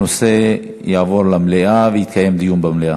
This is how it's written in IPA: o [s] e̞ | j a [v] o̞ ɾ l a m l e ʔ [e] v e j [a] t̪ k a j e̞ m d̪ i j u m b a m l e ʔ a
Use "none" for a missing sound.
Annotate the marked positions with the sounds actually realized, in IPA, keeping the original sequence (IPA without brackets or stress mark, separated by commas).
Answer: s, v, a, i